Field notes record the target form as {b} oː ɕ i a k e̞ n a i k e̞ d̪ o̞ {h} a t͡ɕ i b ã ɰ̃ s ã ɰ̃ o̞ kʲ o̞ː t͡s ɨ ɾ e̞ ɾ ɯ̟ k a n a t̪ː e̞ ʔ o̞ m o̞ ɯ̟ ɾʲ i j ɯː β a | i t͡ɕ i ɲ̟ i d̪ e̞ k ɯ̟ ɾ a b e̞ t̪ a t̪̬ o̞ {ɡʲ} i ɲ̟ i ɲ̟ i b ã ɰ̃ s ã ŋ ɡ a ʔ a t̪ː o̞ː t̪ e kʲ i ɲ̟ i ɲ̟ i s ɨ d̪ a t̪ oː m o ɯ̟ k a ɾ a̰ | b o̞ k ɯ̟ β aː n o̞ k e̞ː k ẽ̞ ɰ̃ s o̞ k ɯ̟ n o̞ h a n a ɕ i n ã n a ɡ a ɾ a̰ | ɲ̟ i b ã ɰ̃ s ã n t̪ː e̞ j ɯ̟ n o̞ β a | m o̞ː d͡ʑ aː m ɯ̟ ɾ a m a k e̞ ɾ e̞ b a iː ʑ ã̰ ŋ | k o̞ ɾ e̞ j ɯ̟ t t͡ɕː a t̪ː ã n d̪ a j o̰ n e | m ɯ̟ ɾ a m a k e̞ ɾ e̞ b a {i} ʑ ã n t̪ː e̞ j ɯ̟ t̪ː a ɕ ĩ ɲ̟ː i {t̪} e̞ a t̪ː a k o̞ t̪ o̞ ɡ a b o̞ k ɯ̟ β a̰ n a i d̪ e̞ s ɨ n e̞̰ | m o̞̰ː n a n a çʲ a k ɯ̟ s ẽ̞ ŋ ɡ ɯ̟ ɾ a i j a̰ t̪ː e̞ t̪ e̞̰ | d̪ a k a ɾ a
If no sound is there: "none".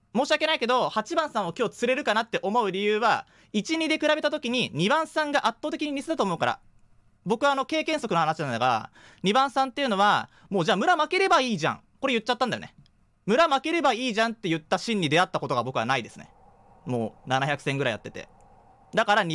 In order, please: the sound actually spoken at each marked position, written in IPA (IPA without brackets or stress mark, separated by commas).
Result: m, h, kʲ, iː, d̪